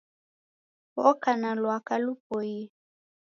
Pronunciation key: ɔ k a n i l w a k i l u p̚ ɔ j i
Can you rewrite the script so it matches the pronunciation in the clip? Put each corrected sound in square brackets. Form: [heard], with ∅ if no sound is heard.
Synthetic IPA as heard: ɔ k a n [a] l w a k [a] l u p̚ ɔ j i